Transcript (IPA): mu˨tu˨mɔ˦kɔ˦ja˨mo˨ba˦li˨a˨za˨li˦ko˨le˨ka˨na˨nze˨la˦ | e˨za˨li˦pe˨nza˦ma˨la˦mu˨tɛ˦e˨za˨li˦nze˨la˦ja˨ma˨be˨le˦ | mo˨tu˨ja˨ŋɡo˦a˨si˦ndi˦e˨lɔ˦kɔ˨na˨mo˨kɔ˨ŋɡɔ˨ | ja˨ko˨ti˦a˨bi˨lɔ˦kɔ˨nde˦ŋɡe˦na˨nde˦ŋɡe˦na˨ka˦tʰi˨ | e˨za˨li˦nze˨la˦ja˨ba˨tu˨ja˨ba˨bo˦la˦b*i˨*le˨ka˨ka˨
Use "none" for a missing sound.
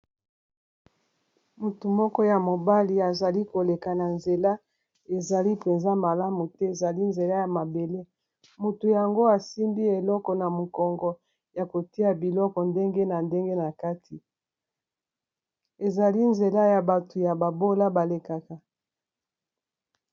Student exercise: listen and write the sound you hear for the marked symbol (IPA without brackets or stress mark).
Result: a˨